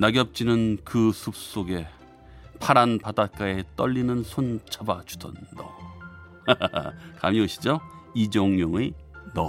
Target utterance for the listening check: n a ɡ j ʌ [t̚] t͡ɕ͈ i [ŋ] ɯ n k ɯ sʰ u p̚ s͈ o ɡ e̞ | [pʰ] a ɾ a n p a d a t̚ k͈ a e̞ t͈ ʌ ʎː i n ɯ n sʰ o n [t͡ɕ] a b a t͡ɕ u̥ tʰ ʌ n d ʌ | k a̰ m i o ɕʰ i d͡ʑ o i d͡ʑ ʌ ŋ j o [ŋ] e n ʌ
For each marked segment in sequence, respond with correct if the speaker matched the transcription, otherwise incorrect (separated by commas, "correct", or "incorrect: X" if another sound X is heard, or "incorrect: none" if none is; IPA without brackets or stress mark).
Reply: incorrect: p̚, incorrect: n, correct, incorrect: t͡ɕʰ, correct